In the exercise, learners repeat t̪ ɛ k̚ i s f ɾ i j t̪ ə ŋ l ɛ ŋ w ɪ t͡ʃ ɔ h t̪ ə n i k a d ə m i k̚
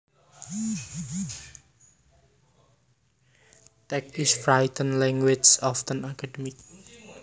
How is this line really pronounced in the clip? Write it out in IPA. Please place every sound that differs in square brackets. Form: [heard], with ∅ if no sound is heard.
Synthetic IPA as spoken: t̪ ɛ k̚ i s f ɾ [a] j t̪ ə [n] l ɛ ŋ w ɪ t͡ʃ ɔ [f] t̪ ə n [a] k a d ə m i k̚